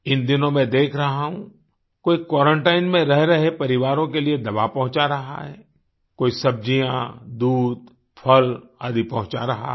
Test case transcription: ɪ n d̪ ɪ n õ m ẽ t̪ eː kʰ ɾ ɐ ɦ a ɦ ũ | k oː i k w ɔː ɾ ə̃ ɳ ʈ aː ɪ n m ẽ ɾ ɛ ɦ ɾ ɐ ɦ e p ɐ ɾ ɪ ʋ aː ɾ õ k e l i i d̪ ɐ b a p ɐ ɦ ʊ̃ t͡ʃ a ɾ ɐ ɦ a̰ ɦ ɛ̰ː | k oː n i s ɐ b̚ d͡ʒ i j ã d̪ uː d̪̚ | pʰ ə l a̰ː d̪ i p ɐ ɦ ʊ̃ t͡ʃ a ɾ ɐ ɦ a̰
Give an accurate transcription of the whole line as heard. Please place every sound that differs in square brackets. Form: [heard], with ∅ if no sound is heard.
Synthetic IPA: ɪ n d̪ ɪ n õ m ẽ [d̪] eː kʰ ɾ ɐ ɦ a ɦ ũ | k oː i k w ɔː ɾ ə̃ ɳ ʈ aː ɪ n m ẽ ɾ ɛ ɦ ɾ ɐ ɦ e p ɐ ɾ ɪ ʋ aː ɾ õ k e l i [e] d̪ ɐ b a p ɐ ɦ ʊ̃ t͡ʃ a ɾ ɐ ɦ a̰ ɦ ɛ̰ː | k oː [∅] i s ɐ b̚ d͡ʒ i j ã d̪ uː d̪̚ | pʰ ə l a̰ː d̪ i p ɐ ɦ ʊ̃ t͡ʃ a ɾ ɐ ɦ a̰